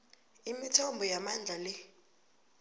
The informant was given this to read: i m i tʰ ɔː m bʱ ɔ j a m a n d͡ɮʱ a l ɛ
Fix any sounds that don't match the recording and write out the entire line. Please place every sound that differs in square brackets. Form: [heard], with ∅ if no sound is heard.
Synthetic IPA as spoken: i m i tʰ [ɔ] m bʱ ɔ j a m a n d͡ɮʱ a l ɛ